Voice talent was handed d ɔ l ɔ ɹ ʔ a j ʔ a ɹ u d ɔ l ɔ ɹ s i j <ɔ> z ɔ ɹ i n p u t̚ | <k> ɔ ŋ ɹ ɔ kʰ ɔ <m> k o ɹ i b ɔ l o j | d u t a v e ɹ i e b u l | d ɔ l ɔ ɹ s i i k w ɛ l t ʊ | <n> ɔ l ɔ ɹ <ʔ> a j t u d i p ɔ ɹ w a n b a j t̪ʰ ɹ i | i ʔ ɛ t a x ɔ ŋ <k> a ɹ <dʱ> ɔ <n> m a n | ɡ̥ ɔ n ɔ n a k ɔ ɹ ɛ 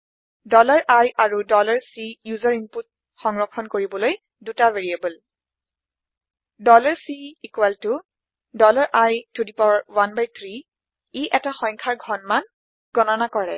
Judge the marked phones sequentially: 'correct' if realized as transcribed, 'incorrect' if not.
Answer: incorrect: u, incorrect: x, incorrect: n, incorrect: d, correct, incorrect: kʰ, incorrect: ɡʱ, correct

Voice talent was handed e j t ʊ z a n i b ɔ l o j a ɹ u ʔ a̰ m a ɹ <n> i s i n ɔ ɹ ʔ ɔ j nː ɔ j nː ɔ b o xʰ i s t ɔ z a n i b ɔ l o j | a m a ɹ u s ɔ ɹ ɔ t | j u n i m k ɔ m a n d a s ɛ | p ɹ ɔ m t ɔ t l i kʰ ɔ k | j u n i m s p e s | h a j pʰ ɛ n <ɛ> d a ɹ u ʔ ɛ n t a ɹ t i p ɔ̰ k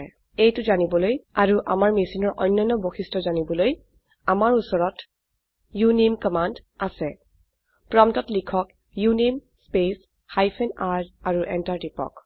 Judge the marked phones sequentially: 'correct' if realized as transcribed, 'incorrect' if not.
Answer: incorrect: m, incorrect: a

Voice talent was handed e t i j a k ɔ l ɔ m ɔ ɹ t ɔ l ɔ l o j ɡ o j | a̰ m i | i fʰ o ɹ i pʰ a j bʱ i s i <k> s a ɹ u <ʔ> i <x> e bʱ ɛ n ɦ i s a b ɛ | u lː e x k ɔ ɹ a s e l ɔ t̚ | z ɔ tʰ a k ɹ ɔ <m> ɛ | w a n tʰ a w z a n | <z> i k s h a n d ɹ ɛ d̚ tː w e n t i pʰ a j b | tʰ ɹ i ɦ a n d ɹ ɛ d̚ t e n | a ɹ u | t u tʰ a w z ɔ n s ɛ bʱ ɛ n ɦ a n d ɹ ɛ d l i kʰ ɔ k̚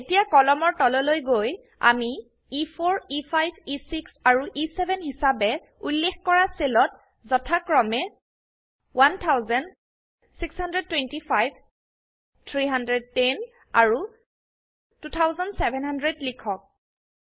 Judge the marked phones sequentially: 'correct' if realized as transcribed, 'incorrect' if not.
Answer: correct, correct, incorrect: s, correct, incorrect: s

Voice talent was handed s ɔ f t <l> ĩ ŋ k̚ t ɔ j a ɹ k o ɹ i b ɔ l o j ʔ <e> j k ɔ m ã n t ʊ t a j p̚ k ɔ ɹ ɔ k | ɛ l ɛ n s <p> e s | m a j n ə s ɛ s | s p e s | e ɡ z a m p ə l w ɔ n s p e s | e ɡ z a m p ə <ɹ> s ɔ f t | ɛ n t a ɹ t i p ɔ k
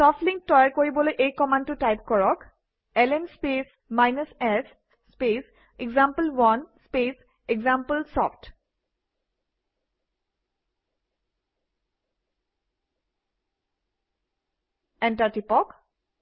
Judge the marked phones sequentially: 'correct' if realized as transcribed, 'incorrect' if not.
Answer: correct, correct, correct, incorrect: l

